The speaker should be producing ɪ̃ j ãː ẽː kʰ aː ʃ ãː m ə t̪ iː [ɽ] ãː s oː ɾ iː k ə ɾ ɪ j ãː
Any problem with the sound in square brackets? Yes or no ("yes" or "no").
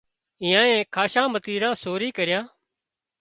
yes